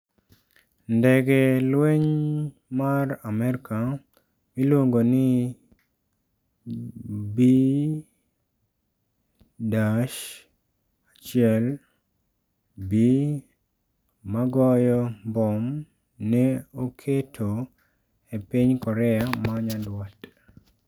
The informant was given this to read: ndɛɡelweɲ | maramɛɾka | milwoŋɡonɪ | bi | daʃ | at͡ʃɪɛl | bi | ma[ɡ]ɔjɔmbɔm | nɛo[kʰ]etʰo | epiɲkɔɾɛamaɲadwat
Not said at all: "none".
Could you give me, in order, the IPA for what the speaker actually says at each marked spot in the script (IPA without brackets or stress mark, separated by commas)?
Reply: ɡ, kʰ